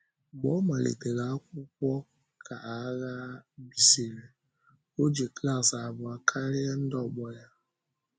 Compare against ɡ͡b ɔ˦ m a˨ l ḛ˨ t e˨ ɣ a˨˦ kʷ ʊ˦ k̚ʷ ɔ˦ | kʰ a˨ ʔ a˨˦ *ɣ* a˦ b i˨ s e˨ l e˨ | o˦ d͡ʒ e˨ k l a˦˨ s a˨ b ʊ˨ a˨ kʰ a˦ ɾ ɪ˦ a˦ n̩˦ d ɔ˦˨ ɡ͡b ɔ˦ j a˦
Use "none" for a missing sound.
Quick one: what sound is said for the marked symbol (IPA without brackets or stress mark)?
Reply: ɣ